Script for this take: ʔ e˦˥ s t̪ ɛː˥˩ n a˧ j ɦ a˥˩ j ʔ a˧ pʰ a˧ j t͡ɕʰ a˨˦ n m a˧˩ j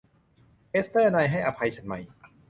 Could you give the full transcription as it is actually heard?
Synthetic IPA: ʔ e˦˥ s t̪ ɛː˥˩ n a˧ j ɦ a˥˩ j ʔ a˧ pʰ a˧ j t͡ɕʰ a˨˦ n m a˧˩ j